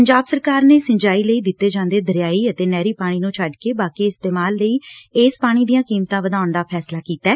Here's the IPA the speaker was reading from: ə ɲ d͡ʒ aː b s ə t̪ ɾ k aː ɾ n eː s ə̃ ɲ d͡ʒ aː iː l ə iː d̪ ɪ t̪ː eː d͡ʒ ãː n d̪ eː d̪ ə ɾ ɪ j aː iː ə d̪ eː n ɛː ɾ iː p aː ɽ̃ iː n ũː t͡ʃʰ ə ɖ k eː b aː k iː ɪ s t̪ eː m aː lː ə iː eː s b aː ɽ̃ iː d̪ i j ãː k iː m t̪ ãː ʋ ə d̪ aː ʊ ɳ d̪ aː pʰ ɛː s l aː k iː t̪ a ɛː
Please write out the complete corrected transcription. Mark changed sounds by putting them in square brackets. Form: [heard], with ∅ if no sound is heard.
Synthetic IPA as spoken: ə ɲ d͡ʒ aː b s ə [∅] ɾ k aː ɾ n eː s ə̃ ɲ d͡ʒ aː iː l ə iː d̪ ɪ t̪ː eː d͡ʒ ãː n d̪ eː d̪ ə ɾ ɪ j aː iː ə [t̪] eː n ɛː ɾ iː p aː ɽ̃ iː n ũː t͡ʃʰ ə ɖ k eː b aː k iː ɪ s t̪ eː m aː lː ə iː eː s [p] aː ɽ̃ iː d̪ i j ãː k iː m t̪ ãː ʋ ə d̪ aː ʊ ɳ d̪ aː pʰ ɛː s l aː k iː t̪ a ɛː